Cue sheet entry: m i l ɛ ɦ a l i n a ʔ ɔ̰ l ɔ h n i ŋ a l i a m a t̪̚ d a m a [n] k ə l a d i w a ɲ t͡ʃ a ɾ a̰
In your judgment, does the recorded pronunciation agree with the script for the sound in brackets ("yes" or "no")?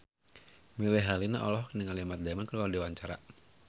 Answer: yes